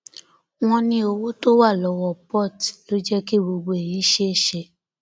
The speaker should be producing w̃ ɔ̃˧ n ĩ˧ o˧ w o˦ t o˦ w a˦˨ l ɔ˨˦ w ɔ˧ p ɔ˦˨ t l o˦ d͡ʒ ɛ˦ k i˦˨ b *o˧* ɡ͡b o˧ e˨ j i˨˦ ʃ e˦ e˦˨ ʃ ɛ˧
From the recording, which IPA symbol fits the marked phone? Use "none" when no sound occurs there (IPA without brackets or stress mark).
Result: o˧